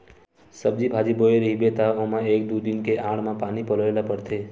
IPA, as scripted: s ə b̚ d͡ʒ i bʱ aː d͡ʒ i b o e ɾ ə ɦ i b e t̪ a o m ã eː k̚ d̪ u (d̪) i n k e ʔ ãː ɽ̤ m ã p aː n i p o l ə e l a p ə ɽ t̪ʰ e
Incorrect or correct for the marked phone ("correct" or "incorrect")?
correct